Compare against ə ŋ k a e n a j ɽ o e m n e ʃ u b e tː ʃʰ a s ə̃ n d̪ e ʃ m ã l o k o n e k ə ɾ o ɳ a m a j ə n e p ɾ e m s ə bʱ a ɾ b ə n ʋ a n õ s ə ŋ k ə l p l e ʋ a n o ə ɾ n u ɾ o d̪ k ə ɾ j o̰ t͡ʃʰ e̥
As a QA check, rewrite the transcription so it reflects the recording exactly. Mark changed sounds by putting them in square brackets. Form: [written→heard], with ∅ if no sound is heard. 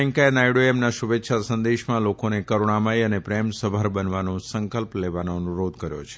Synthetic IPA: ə ŋ k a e n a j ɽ o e m n [e→a] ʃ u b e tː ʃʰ a s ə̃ n d̪ e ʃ m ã l o k o n e k ə ɾ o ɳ a m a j ə n e p ɾ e m s ə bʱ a ɾ b ə n ʋ a n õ s ə ŋ k ə l p l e ʋ a n o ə [ɾ→∅] n u ɾ o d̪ k ə ɾ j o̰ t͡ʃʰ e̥

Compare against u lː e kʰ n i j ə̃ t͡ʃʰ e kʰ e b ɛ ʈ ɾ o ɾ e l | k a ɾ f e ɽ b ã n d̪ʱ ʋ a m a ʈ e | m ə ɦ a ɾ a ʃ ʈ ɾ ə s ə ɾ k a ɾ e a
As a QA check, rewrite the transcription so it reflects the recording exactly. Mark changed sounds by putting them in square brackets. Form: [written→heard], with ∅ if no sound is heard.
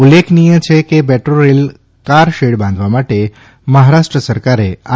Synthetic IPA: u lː e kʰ n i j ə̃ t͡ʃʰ e [kʰ→k] e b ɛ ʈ ɾ o ɾ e l | k a ɾ [f→ʃ] e ɽ b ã n d̪ʱ ʋ a m a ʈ e | m ə ɦ a ɾ a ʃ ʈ ɾ ə s ə ɾ k a ɾ e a

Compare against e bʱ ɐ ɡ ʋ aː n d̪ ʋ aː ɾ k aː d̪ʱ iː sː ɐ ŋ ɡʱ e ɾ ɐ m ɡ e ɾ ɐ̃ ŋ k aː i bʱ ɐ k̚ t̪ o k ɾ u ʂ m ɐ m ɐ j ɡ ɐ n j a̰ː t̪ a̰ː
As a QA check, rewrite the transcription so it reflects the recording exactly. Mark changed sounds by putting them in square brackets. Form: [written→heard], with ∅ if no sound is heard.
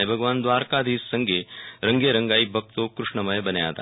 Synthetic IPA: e bʱ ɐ ɡ ʋ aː n d̪ ʋ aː ɾ k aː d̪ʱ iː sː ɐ ŋ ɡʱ e ɾ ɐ [m→ŋ] ɡ e ɾ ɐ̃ ŋ [k→ɡ] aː i bʱ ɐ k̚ t̪ o k ɾ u ʂ [m→ɳ] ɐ m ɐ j [ɡ→b] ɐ n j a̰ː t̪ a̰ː

